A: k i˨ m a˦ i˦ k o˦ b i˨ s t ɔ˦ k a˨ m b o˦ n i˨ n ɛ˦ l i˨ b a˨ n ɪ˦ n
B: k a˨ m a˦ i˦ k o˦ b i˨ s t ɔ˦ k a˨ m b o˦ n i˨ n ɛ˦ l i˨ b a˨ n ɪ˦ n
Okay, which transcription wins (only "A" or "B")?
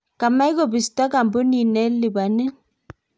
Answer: B